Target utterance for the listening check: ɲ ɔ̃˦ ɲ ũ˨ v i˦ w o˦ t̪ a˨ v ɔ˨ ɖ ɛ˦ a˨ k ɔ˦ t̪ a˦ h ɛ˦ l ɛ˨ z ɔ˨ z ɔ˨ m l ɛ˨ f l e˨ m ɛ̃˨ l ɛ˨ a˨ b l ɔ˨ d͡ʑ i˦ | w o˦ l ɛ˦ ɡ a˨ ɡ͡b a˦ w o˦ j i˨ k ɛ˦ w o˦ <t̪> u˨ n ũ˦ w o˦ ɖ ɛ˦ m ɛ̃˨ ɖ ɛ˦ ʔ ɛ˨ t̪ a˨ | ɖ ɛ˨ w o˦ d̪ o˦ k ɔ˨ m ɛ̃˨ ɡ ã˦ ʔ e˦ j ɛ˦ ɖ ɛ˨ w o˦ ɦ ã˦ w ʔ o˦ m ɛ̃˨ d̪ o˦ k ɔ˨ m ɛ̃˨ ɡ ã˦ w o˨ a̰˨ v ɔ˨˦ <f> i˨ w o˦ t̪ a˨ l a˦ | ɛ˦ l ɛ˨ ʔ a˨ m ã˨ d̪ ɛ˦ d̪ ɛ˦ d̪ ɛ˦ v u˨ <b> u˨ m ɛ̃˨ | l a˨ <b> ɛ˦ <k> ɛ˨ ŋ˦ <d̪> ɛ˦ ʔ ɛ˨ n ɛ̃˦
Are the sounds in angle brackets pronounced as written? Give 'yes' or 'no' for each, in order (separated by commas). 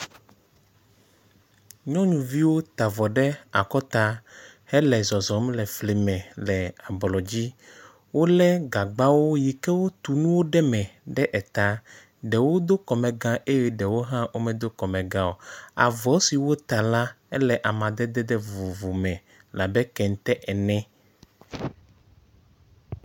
yes, no, no, yes, yes, no